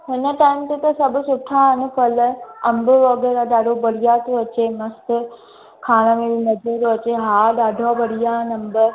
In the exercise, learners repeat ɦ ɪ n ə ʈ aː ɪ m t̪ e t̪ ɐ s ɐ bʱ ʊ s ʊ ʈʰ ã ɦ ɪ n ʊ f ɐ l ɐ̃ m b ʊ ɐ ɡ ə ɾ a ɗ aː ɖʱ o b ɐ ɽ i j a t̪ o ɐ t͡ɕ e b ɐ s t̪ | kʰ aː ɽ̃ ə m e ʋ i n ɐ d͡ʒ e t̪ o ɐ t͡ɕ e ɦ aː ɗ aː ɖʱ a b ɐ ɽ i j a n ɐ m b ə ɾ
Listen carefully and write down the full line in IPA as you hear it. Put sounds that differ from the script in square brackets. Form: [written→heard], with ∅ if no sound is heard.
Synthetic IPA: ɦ ɪ n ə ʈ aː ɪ m t̪ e t̪ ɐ s ɐ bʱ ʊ s ʊ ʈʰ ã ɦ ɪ n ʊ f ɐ l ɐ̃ m b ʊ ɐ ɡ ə ɾ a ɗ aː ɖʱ o b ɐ ɽ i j a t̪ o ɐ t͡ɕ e [b→m] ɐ s t̪ | kʰ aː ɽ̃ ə m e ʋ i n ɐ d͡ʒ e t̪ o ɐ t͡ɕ e ɦ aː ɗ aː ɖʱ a b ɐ ɽ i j a n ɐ m b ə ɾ